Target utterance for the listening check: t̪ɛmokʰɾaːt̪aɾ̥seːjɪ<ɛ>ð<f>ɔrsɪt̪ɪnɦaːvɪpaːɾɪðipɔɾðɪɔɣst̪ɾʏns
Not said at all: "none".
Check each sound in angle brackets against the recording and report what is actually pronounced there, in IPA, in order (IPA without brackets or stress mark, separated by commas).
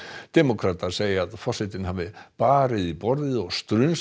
a, f